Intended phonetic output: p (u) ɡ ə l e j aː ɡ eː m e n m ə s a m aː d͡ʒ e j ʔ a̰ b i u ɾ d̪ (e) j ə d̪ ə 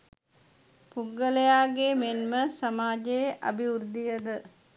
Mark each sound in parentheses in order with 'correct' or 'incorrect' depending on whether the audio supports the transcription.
correct, incorrect: i

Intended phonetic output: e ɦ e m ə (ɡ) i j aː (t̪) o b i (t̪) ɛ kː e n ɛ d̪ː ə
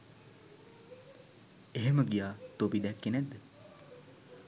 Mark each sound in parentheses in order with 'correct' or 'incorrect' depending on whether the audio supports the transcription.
correct, correct, incorrect: d̪

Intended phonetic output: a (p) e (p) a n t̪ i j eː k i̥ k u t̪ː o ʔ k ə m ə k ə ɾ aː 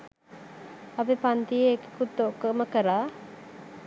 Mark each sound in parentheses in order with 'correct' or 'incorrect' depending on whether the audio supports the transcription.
incorrect: b, correct

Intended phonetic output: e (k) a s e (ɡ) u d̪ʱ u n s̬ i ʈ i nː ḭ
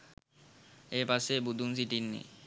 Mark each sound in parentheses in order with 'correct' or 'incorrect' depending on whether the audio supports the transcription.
incorrect: p, incorrect: b

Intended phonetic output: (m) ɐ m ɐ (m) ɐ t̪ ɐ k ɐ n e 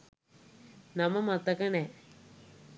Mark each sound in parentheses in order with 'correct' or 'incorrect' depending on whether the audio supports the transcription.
incorrect: n, correct

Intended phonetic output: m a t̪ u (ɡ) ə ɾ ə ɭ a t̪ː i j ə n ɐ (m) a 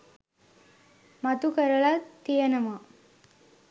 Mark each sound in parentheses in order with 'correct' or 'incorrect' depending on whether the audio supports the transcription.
incorrect: k, correct

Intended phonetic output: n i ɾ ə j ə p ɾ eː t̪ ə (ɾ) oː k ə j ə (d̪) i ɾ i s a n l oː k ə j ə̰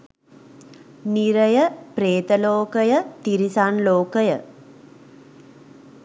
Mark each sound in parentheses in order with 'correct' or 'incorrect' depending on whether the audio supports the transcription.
incorrect: l, incorrect: t̪

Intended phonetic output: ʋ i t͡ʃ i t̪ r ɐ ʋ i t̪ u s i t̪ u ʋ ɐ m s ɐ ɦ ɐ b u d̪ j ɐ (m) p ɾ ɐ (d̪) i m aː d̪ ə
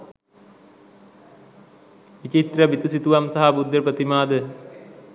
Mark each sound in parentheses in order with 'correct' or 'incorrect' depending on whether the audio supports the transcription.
incorrect: none, incorrect: t̪

